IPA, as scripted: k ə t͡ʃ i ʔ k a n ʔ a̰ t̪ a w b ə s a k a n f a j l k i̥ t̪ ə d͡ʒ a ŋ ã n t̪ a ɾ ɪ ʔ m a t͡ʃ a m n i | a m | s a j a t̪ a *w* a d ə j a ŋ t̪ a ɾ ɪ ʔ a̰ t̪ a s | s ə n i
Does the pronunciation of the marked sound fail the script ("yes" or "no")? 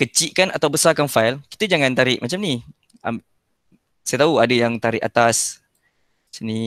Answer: yes